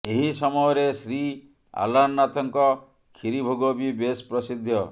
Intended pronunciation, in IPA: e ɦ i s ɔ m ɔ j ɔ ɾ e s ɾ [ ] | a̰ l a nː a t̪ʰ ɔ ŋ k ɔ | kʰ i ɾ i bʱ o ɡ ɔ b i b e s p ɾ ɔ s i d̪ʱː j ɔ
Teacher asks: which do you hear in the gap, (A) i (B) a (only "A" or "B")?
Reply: A